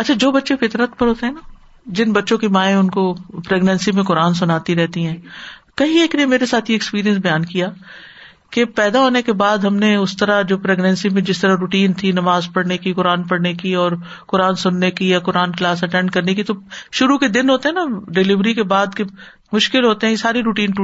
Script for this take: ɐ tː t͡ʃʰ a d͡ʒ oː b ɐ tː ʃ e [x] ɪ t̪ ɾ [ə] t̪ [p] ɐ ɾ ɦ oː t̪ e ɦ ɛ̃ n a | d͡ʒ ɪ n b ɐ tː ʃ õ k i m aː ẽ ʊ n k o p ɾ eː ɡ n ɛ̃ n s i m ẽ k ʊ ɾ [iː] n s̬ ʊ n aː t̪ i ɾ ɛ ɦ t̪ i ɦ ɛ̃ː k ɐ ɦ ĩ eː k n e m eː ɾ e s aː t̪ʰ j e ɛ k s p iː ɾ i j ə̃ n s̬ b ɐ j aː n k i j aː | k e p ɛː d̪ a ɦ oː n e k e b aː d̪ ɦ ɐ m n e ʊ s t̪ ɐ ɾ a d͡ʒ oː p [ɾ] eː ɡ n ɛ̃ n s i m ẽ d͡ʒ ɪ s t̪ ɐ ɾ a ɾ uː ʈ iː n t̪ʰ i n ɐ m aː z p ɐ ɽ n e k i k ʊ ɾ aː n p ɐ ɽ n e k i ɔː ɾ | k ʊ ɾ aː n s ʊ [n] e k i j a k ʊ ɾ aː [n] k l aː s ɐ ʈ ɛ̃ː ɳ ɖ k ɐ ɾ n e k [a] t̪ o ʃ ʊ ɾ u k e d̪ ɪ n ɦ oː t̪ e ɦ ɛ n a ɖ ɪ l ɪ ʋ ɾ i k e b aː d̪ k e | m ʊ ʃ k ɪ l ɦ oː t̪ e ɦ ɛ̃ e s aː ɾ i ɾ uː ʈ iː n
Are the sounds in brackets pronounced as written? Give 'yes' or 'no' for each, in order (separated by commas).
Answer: no, yes, yes, no, yes, no, yes, no